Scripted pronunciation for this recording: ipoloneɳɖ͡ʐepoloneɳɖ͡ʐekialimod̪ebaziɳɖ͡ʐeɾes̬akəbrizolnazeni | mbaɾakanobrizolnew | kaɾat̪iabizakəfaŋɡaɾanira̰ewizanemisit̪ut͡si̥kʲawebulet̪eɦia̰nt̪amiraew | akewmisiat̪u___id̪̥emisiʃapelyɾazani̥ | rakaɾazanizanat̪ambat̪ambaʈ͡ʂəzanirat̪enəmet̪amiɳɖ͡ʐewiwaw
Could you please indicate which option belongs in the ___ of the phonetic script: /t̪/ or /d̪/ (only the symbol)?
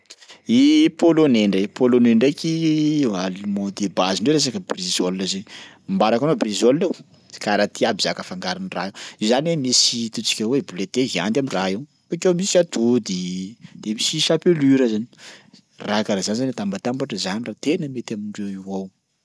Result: d̪